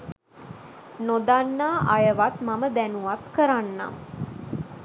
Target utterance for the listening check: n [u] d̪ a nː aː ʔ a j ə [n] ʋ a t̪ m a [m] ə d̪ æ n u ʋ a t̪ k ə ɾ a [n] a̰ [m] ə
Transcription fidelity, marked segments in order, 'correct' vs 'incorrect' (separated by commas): incorrect, incorrect, correct, incorrect, correct